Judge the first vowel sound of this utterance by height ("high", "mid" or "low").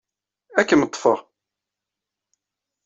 low